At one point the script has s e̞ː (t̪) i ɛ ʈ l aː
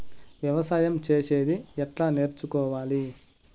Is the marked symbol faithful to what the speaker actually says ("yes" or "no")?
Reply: no